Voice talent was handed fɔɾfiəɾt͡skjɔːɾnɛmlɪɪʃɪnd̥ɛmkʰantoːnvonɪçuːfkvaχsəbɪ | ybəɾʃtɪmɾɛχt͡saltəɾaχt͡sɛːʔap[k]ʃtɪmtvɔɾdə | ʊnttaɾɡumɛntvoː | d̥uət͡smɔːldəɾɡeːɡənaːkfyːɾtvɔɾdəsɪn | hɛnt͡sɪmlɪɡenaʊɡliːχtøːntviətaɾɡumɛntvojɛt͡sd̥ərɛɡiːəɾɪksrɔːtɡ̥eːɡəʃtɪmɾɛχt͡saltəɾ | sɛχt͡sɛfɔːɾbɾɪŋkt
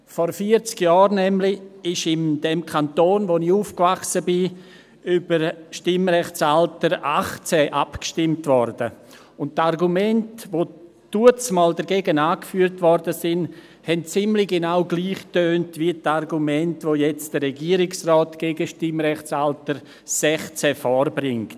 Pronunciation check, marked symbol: correct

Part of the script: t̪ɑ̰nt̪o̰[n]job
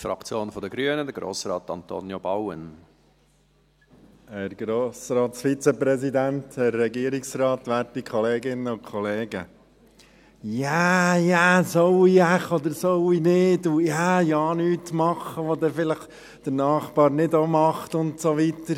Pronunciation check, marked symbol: correct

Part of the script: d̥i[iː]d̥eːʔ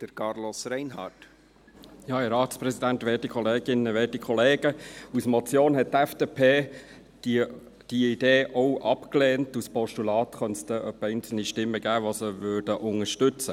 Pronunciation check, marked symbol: incorrect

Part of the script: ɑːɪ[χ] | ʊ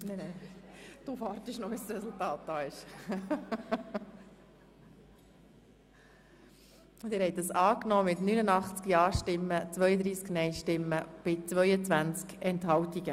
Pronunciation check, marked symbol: incorrect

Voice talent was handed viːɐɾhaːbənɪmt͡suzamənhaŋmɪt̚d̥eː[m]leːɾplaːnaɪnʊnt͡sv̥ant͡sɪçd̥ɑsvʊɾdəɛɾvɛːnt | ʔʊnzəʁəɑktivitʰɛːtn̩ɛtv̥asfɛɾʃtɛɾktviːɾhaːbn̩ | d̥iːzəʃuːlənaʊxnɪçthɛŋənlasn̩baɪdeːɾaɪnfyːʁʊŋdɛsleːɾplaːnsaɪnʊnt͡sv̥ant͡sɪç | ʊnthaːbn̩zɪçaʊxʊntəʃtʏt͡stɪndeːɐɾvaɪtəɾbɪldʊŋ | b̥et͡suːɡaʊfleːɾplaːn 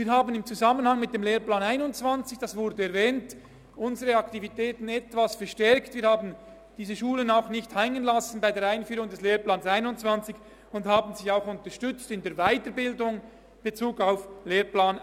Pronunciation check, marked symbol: correct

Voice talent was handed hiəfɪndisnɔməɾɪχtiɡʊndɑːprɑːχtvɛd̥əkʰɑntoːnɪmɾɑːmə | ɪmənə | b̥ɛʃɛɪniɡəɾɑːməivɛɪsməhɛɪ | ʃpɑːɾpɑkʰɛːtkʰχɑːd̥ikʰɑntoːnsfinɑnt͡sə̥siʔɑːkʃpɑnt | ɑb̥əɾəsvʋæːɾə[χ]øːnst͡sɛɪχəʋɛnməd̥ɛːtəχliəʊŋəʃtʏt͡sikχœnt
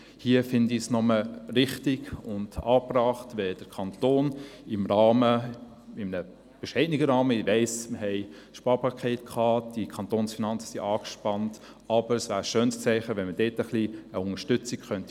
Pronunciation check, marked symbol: incorrect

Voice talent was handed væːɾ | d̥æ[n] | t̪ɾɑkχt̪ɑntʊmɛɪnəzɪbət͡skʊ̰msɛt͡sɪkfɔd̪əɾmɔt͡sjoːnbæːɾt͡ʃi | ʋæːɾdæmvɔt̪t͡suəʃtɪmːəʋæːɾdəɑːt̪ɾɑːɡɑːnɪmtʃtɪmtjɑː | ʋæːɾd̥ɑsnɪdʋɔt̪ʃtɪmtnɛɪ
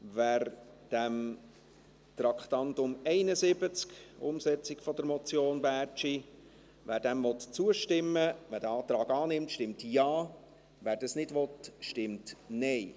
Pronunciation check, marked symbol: incorrect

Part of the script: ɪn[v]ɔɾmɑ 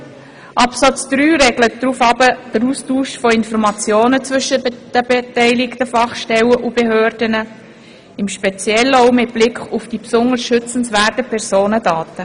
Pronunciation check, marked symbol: incorrect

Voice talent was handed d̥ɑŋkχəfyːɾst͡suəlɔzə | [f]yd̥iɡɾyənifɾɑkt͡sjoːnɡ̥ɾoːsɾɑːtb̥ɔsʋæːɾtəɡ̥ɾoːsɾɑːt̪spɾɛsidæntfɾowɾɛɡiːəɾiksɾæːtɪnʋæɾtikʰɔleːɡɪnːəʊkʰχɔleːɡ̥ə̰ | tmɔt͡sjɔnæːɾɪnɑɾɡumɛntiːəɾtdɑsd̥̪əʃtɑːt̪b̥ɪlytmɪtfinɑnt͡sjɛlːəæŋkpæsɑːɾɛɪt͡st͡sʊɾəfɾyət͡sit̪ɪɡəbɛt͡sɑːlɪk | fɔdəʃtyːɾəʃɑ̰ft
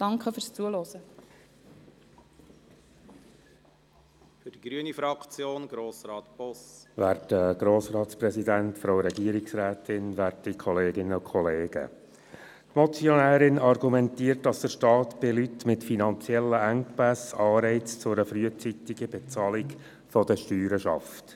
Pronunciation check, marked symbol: correct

